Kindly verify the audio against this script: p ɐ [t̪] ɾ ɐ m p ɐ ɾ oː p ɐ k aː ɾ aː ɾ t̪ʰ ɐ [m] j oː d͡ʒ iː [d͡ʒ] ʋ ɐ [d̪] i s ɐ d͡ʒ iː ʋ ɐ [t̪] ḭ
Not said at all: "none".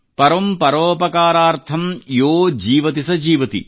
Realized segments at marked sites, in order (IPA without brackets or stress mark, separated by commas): none, m, none, t̪, t̪